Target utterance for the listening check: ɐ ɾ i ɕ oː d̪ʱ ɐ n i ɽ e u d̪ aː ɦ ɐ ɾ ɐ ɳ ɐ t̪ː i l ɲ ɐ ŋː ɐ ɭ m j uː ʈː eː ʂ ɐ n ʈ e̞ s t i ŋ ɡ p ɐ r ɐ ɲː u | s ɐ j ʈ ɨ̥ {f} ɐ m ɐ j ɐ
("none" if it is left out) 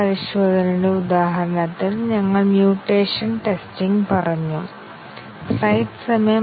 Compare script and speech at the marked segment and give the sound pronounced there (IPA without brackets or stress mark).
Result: s